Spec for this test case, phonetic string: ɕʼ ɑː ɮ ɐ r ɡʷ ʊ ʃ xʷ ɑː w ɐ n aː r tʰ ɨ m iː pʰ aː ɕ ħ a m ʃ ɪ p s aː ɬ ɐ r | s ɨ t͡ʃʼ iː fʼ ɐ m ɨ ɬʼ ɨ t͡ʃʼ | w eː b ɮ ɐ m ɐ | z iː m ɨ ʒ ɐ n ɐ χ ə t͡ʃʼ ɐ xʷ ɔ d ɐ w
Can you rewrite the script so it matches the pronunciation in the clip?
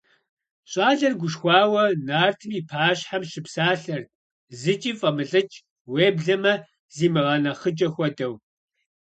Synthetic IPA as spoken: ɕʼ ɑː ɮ ɐ r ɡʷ ʊ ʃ xʷ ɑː w ɐ n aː r tʰ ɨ m iː pʰ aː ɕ ħ a m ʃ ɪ p s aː ɬ ɐ r | z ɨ t͡ʃʼ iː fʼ ɐ m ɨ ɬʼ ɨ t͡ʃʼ | w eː b ɮ ɐ m ɐ | z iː m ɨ ʁ ɐ n ɐ χ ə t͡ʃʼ ɐ xʷ ɔ d ɐ w